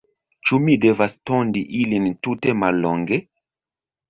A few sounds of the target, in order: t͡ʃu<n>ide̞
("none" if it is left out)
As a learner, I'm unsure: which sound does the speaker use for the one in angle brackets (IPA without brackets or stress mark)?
m